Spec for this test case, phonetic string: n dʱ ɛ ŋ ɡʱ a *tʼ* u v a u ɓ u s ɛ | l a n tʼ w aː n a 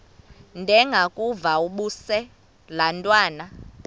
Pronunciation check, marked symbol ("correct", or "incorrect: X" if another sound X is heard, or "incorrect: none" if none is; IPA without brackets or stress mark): incorrect: kʼ